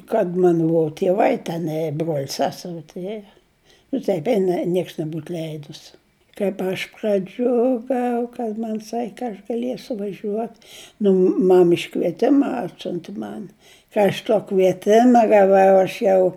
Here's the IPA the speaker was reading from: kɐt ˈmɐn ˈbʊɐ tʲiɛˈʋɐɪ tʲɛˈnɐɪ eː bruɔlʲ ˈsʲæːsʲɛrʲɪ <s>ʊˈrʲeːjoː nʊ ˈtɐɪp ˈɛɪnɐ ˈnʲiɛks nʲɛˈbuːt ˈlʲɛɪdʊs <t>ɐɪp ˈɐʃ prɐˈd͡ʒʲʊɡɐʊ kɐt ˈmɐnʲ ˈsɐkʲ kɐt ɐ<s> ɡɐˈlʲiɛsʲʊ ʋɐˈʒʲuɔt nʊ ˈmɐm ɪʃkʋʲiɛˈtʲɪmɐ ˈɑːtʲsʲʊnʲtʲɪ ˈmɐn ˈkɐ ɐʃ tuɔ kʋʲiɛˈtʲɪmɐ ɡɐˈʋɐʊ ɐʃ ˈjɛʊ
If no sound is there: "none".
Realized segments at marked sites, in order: t, k, ʃ

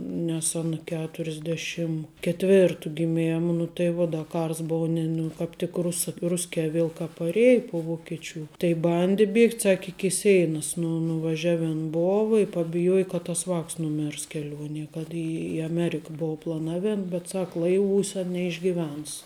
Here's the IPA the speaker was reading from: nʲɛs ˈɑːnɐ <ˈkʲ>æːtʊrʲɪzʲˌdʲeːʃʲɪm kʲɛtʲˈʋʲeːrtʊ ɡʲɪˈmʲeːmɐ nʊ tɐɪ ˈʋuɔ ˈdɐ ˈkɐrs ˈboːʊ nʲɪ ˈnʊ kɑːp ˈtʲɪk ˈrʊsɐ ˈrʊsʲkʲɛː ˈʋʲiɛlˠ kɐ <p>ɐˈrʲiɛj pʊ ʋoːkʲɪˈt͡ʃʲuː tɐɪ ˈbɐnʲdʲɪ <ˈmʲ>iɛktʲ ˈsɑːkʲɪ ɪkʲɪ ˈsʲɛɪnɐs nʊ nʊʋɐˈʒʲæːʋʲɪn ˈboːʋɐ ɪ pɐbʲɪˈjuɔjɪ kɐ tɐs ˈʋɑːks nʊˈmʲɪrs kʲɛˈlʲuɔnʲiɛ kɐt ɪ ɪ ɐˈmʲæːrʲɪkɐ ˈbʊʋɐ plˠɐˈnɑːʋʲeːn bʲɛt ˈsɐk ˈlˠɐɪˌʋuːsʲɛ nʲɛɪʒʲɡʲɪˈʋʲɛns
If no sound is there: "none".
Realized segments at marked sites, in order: kʲ, p, bʲ

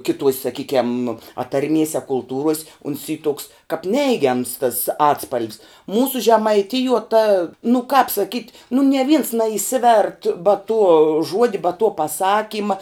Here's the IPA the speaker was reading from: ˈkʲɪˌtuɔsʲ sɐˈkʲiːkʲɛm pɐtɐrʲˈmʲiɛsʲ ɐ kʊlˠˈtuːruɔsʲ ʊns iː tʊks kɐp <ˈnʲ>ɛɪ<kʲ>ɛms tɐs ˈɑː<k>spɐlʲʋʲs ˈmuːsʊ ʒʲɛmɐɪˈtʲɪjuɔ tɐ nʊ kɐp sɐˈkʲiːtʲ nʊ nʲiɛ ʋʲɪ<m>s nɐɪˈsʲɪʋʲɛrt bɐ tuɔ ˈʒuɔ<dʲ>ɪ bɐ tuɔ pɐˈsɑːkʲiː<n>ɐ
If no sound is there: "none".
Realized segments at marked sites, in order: nʲ, ɡʲ, t, n, dʲ, m

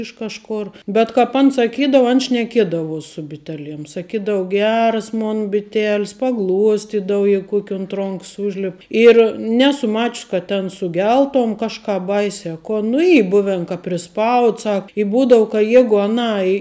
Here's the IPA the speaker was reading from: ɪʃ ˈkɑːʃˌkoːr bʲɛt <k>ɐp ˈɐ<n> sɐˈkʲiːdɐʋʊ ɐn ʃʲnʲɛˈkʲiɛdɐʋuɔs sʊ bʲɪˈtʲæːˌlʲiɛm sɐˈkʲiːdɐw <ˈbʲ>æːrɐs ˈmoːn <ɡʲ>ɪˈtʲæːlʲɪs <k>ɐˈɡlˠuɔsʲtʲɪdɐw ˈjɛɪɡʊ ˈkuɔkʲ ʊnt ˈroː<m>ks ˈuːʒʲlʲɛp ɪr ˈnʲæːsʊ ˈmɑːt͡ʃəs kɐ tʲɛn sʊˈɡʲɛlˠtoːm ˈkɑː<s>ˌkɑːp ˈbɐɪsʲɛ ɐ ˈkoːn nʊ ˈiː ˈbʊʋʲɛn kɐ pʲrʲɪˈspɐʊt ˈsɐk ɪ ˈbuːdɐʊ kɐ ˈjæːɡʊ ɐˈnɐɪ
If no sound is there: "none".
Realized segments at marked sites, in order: k, n, ɡʲ, bʲ, p, ŋ, ʃ

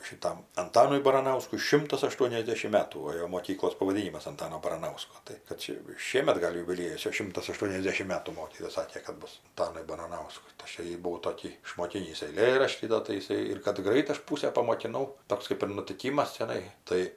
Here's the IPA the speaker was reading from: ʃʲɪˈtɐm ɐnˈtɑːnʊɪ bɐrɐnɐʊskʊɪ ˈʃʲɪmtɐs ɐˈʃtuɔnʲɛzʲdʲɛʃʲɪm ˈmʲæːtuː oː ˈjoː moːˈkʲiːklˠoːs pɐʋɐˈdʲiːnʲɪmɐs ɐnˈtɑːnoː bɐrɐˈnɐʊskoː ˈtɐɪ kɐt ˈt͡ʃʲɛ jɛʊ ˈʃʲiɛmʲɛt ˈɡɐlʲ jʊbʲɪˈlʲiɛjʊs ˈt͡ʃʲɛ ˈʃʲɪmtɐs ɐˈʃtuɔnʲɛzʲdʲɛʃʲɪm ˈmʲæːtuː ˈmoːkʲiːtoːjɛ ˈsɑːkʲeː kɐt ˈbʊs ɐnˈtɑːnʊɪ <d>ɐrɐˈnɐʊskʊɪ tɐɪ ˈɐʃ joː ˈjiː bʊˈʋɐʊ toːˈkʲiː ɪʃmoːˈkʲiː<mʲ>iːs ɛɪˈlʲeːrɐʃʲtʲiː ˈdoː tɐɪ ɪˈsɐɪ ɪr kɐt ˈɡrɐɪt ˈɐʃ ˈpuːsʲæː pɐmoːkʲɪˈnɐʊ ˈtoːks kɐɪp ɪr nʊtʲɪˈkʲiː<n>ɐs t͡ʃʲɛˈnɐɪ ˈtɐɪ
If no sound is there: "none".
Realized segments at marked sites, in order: b, nʲ, m

